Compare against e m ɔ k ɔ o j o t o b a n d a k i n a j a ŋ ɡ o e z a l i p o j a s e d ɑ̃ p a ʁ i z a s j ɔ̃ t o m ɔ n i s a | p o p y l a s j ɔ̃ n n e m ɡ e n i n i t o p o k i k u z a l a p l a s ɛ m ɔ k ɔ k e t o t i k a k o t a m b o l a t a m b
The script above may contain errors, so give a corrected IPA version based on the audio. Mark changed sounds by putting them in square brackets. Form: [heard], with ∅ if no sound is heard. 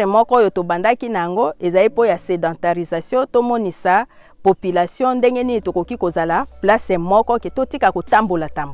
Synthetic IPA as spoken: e m ɔ k ɔ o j o t o b a n d a k i n a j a ŋ ɡ o e z a l i p o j a s e d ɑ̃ [t] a ʁ i z a s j ɔ̃ t o m ɔ n i s a | p o p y l a s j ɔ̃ n [d] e [ŋ] ɡ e n i n i t o [k] o k i k [o] z a l a p l a s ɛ m ɔ k ɔ k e t o t i k a k o t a m b o l a t a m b